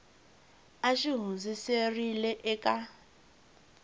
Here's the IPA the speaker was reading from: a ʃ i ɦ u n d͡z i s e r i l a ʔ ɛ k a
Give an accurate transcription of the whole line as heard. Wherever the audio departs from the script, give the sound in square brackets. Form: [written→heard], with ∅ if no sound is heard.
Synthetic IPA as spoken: a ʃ i ɦ u n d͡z i s e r i l [a→ɛ] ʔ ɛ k a